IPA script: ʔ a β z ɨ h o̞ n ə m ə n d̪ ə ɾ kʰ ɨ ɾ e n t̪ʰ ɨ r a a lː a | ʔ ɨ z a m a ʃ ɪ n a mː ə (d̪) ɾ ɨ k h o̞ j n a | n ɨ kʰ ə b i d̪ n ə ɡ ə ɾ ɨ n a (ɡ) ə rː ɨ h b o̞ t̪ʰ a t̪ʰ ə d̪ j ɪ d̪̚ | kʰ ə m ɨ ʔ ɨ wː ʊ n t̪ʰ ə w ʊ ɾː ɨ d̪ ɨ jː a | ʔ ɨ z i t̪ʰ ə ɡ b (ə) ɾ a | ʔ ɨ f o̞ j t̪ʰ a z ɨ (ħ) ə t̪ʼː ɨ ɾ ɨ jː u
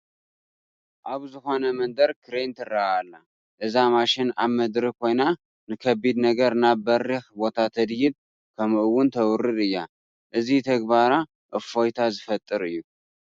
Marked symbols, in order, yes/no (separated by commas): yes, no, no, no